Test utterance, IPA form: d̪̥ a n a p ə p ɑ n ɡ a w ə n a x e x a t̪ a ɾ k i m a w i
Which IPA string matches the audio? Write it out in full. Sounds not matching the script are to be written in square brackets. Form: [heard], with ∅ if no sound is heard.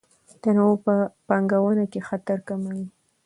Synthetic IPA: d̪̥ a n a p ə p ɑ [ŋ] ɡ a w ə n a [k] e x a t̪ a ɾ k [a] m a w i